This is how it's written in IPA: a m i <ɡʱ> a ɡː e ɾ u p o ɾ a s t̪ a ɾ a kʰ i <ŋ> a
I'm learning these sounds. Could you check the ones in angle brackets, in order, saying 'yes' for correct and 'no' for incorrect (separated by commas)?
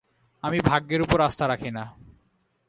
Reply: no, no